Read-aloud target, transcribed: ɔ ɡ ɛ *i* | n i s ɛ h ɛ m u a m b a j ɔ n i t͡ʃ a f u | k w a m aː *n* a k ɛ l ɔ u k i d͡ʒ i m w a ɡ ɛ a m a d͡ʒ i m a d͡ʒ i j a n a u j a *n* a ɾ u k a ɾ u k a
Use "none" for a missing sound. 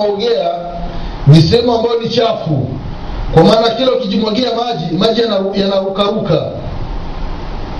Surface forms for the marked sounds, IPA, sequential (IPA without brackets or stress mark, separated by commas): a, n, n